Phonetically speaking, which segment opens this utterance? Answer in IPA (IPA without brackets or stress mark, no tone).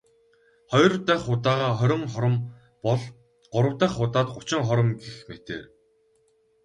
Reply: χ